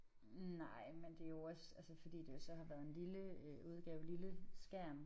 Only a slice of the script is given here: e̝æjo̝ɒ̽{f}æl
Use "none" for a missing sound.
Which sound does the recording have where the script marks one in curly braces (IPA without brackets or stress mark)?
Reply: s